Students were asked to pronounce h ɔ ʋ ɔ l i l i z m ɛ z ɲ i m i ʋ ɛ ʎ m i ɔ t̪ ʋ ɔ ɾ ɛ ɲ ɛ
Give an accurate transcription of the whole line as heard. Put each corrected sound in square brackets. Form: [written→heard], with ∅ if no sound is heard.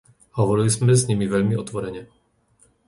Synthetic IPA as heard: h ɔ ʋ ɔ [l→ɾ] i l i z m ɛ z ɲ i m i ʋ ɛ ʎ m i ɔ t̪ ʋ ɔ ɾ ɛ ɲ ɛ